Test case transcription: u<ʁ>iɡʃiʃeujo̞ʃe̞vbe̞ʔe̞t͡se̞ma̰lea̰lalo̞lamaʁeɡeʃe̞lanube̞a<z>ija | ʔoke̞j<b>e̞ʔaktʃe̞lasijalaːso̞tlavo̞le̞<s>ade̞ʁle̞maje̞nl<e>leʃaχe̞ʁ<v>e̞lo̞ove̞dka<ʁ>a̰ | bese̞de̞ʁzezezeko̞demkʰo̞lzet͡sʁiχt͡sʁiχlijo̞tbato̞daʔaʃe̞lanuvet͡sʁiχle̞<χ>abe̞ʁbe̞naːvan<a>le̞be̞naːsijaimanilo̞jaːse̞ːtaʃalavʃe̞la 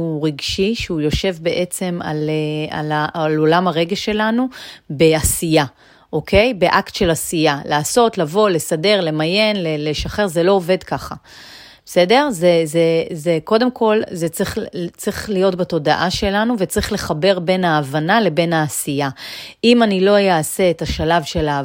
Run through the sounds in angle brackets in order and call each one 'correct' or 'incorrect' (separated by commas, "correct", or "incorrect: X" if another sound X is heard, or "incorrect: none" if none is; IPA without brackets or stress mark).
correct, incorrect: s, correct, correct, correct, incorrect: z, incorrect: χ, correct, correct